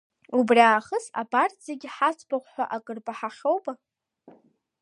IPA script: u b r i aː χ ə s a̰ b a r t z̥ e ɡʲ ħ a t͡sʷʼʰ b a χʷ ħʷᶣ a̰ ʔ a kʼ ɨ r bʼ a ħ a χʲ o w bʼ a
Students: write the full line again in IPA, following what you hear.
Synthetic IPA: u b r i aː χ ə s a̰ b a r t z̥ e ɡʲ ħ a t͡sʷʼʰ b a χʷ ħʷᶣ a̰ ʔ a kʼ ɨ r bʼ a ħ a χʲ o w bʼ a